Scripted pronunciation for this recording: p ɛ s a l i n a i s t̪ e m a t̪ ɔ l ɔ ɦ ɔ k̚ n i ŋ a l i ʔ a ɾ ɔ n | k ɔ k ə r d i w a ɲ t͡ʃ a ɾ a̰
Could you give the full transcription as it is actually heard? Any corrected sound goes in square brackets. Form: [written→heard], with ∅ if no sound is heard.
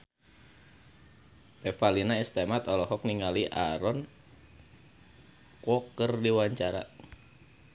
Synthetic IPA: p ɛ [s→f] a l i n a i s t̪ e m a t̪ ɔ l ɔ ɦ ɔ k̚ n i ŋ a l i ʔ a ɾ ɔ n | k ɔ k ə r d i w a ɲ t͡ʃ a ɾ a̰

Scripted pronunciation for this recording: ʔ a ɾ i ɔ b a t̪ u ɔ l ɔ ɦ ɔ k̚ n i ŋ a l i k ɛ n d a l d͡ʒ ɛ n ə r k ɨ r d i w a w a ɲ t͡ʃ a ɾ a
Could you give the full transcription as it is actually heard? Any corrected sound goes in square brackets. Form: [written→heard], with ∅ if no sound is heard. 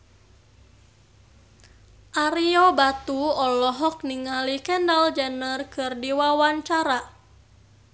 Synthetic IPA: ʔ a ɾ i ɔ b a t̪ u ɔ l ɔ ɦ ɔ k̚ n i ŋ a l i k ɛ n d a l d͡ʒ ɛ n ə r k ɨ r d i w a w a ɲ t͡ʃ a ɾ a

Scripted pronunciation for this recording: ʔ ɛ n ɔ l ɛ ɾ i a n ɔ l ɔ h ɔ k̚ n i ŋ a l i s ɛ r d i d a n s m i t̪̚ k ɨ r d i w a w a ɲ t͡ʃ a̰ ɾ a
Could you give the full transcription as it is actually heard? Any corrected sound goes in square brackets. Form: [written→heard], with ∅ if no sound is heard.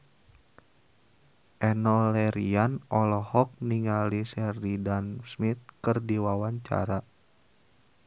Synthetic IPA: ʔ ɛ n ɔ l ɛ ɾ i a n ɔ l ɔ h ɔ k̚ n i ŋ a l i s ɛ r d i d a n s m i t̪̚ k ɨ r d i w a w a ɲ t͡ʃ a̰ ɾ a

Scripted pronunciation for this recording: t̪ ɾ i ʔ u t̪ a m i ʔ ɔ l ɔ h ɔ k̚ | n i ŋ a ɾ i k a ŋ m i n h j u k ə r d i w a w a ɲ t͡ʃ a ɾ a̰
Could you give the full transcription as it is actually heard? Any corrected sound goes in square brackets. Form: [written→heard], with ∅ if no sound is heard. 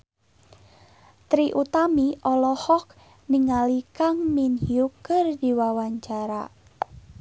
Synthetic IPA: t̪ ɾ i ʔ u t̪ a m i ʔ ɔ l ɔ h ɔ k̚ | n i ŋ a [ɾ→l] i k a ŋ m i n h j u k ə r d i w a w a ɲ t͡ʃ a ɾ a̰

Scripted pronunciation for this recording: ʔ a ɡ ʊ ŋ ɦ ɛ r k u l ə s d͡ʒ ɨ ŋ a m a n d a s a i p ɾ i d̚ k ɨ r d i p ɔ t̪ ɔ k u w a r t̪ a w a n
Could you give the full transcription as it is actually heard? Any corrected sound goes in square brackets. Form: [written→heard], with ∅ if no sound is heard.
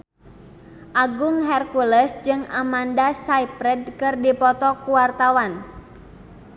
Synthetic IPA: ʔ a ɡ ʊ ŋ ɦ ɛ r k u l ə s d͡ʒ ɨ ŋ a m a n d a s a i p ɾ [i→ɛ] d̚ k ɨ r d i p ɔ t̪ ɔ k u w a r t̪ a w a n

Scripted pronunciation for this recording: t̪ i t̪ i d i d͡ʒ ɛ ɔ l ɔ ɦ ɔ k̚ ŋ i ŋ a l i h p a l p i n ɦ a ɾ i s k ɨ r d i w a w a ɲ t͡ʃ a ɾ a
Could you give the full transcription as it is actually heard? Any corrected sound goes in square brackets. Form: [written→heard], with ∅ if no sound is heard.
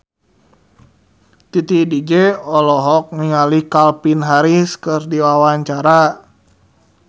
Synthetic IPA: t̪ i t̪ i d i d͡ʒ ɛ ɔ l ɔ ɦ ɔ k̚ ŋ i ŋ a l i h [p→k] a l p i n ɦ a ɾ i s k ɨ r d i w a w a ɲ t͡ʃ a ɾ a

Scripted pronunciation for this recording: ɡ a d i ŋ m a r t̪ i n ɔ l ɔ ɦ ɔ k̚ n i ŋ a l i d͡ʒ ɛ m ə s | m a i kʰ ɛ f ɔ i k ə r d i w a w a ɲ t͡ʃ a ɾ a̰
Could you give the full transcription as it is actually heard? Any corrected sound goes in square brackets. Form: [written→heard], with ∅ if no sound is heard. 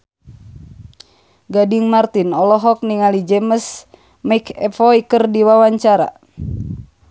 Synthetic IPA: ɡ a d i ŋ m a r t̪ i n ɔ l ɔ ɦ ɔ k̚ n i ŋ a l i d͡ʒ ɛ m ə s | m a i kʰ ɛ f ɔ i k ə r d i w a w a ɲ t͡ʃ a ɾ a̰

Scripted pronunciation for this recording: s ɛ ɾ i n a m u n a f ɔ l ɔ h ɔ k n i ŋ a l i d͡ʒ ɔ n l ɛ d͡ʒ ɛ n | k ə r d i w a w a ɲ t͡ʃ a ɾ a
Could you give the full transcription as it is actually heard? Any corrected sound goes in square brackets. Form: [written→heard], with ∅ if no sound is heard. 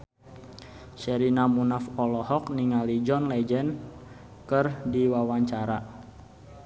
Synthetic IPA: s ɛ ɾ i n a m u n a f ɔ l ɔ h ɔ k n i ŋ a l i d͡ʒ ɔ n l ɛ d͡ʒ ɛ n | k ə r d i w a w a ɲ t͡ʃ a ɾ a

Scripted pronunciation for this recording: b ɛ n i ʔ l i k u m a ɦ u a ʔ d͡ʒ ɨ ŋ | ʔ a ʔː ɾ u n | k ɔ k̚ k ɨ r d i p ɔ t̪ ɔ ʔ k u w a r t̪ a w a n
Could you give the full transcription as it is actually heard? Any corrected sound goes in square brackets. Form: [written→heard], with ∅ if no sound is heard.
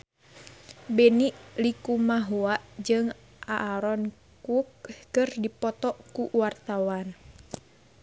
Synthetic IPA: b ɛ n i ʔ l i k u m a ɦ u a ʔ d͡ʒ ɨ ŋ | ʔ a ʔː ɾ [u→ɔ] n | k [ɔ→u] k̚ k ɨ r d i p ɔ t̪ ɔ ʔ k u w a r t̪ a w a n

